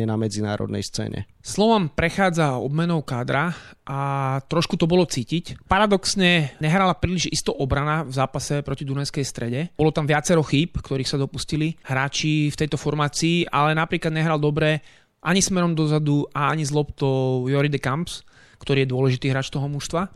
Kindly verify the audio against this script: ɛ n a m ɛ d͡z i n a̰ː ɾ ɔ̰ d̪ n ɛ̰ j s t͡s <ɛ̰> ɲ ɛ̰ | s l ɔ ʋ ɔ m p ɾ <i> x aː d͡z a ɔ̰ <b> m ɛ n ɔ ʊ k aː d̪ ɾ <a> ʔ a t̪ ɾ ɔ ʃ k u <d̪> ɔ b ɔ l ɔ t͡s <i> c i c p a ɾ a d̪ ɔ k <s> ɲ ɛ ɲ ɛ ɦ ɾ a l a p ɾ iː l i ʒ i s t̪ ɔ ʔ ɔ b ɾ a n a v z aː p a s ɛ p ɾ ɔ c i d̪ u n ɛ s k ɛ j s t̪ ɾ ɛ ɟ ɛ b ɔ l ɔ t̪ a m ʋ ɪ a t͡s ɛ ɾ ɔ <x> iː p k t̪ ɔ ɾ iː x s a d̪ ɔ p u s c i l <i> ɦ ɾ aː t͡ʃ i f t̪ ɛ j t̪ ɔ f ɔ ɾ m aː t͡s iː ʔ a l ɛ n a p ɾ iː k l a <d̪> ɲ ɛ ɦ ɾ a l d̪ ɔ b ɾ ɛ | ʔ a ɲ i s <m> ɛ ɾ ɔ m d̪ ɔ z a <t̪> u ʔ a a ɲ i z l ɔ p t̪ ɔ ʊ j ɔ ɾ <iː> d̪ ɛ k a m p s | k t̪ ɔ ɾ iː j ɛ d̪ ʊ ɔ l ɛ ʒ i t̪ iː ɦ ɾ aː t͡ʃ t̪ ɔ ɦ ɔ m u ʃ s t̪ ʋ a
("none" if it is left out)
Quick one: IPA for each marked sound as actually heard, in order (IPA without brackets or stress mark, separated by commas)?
ɛ̰ː, ɛ, b, a, t̪, iː, s, x, i, d̪, m, d̪, i